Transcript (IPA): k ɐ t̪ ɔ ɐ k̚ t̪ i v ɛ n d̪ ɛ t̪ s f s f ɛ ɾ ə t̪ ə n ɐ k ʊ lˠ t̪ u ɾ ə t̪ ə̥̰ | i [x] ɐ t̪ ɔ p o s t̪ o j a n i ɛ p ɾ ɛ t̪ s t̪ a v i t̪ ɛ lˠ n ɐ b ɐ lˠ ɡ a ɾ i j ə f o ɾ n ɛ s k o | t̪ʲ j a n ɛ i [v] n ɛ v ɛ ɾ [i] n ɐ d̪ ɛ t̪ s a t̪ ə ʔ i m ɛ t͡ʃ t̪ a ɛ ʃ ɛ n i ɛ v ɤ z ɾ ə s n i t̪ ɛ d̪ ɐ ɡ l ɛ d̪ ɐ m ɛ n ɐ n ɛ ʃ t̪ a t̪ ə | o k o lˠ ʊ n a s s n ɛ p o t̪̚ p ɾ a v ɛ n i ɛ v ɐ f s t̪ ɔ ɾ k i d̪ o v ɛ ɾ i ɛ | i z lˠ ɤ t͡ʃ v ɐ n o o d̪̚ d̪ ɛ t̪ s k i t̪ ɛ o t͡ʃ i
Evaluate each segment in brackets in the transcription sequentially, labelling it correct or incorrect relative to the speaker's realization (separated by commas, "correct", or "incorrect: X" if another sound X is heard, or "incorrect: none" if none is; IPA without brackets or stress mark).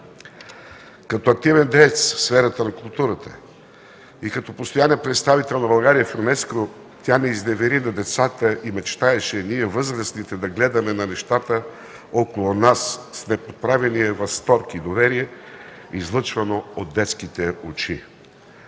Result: incorrect: k, incorrect: z, correct